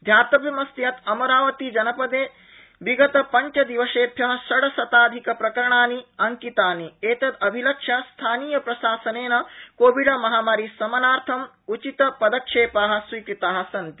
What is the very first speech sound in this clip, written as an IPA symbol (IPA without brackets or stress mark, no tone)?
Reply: d̪ʱ